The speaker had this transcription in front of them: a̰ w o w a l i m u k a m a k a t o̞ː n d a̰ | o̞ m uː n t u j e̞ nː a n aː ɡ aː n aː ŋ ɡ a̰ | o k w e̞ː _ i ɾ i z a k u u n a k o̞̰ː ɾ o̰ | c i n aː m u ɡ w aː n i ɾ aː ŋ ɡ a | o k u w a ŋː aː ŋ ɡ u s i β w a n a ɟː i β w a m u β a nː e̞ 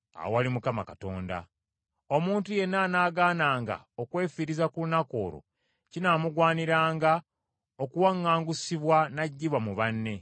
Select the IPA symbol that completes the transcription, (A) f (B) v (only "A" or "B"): A